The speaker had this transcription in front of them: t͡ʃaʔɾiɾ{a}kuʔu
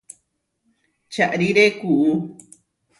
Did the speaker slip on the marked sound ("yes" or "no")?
yes